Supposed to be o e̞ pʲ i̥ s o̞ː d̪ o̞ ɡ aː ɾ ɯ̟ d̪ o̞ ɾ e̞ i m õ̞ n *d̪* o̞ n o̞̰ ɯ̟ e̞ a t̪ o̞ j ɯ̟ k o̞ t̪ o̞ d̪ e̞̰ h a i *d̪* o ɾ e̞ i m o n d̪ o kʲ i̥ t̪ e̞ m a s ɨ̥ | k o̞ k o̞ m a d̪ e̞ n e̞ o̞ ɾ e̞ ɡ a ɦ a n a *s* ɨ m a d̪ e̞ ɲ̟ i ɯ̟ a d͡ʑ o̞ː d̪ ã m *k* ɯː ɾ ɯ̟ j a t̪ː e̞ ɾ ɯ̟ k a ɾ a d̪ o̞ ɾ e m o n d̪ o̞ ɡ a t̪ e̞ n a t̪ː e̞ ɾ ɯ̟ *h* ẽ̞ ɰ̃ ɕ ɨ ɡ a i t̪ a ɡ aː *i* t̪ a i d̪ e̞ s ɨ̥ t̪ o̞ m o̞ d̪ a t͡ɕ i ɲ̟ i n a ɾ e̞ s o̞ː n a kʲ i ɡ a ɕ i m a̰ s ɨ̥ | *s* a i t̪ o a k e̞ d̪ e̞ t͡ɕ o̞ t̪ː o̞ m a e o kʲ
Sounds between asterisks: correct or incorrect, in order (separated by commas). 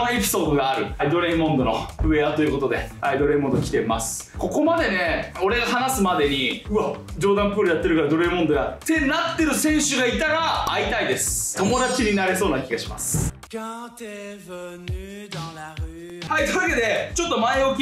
correct, correct, correct, incorrect, incorrect, correct, incorrect